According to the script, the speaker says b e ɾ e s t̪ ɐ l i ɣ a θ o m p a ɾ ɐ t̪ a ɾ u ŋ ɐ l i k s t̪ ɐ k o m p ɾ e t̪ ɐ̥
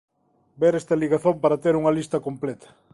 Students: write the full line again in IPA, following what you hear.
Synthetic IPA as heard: b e ɾ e s t̪ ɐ l i ɣ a θ o m p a ɾ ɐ t̪ e ɾ u ŋ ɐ l i s t̪ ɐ k o m p l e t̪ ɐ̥